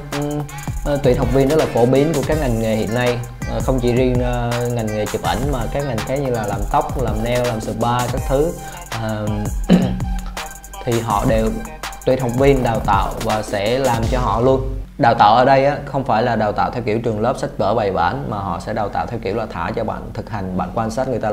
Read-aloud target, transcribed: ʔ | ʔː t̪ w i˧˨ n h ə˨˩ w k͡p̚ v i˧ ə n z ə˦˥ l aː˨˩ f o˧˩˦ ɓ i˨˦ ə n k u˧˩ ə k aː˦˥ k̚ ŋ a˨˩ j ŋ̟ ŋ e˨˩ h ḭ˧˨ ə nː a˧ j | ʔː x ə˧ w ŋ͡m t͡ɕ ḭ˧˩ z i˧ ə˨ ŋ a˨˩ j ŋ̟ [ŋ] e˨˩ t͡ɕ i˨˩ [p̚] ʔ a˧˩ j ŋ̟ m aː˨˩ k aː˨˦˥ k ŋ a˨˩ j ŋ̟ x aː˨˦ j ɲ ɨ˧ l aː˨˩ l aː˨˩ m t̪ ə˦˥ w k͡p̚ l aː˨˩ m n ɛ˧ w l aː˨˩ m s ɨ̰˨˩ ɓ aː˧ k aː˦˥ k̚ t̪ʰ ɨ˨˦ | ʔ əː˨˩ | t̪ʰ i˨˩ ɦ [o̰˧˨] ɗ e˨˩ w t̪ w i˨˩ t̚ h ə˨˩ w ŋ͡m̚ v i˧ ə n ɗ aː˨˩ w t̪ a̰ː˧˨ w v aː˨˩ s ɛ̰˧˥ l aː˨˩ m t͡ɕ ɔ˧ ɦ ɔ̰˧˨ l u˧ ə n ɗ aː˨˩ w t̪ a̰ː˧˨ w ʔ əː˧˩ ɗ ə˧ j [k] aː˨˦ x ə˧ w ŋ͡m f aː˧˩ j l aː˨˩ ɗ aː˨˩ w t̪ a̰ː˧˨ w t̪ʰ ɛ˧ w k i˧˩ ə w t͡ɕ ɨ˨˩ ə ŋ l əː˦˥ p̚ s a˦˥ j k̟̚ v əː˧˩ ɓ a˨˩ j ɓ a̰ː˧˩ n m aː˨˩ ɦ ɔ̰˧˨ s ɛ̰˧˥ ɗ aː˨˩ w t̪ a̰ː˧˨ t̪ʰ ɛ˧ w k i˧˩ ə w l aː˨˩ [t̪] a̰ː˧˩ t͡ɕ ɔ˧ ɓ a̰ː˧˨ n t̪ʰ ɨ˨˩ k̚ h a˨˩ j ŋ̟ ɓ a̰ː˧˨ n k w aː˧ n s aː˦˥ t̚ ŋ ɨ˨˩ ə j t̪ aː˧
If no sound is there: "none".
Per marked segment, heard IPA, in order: ŋ, p̚, ɔ̰˧˨, ʔ, t̪ʰ

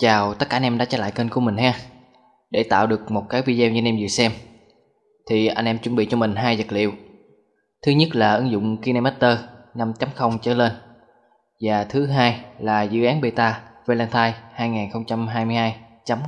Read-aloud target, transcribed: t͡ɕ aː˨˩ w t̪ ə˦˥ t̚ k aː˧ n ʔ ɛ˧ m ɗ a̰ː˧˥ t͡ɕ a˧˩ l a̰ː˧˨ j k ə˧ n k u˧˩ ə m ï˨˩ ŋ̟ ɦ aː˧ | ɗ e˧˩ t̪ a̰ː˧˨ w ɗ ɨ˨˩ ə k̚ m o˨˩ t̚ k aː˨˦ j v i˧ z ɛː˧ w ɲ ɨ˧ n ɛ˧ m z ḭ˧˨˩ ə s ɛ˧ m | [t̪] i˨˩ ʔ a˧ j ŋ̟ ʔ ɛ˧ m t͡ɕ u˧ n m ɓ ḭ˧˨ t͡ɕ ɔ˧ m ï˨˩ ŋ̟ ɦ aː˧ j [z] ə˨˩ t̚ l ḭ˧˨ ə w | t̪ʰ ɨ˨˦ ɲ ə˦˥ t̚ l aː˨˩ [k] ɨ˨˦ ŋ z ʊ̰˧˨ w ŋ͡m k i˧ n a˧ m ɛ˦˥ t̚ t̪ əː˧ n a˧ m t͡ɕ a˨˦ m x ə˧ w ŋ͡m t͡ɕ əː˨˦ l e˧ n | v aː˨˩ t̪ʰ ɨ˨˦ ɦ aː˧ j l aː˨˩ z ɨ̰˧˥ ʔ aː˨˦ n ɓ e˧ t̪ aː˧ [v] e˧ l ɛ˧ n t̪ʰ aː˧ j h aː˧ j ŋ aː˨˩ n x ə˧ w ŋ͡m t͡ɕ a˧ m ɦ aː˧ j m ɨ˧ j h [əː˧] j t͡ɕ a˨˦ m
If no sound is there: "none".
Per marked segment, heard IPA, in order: t̪ʰ, z, ʔ, v, aː˧

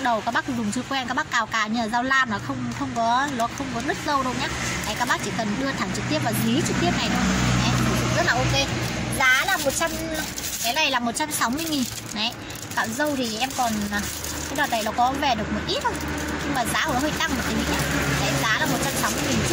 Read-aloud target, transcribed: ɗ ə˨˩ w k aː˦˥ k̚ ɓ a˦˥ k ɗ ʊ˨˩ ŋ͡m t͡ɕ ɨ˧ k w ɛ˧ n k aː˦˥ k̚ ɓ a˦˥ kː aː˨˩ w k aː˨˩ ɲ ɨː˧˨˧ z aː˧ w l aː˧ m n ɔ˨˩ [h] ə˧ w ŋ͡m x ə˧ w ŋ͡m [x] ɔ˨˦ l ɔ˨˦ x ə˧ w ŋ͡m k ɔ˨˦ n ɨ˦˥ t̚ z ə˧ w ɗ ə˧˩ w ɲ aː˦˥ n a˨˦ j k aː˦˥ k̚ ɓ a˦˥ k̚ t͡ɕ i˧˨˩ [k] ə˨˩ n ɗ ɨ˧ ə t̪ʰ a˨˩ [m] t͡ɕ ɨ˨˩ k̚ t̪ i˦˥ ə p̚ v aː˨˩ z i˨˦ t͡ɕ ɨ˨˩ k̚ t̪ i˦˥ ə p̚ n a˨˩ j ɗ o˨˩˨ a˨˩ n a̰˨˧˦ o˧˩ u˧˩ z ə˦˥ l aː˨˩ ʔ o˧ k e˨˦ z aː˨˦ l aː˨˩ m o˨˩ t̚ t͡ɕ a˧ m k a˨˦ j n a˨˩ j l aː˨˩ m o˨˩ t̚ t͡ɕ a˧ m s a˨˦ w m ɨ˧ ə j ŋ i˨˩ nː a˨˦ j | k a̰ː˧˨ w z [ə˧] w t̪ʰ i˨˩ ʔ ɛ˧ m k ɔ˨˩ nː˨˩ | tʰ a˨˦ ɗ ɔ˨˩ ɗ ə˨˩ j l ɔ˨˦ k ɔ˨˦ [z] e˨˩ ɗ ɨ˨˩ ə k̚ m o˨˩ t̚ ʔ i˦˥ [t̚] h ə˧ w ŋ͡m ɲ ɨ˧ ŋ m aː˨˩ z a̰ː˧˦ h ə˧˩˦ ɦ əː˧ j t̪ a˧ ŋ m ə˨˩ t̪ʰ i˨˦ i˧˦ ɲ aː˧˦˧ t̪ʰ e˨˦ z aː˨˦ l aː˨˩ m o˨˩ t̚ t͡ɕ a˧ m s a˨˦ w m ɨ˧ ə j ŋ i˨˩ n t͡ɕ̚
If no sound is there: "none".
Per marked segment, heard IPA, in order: x, k, k, ŋ, ə˧, v, t̚

